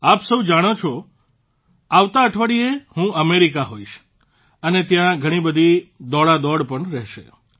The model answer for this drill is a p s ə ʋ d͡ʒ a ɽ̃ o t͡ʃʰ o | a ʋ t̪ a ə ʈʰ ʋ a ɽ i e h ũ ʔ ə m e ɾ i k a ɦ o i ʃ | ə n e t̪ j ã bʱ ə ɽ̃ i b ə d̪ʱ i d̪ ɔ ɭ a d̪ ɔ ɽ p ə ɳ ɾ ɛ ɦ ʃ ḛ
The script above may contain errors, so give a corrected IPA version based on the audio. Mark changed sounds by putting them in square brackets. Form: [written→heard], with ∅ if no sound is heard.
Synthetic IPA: a p s ə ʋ d͡ʒ a ɽ̃ o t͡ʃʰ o | a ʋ t̪ a ə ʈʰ ʋ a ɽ i e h ũ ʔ ə m e ɾ i k a ɦ o i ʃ | ə n e t̪ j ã [bʱ→ɡʱ] ə ɽ̃ i b ə d̪ʱ i d̪ ɔ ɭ a d̪ ɔ ɽ p ə ɳ ɾ ɛ ɦ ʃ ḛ